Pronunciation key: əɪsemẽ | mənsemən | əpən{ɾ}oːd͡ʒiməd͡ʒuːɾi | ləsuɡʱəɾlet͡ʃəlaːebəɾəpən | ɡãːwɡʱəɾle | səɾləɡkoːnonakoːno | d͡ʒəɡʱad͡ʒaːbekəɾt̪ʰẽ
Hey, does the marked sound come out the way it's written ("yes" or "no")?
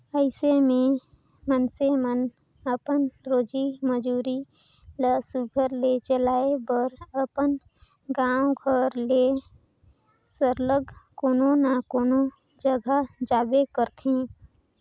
yes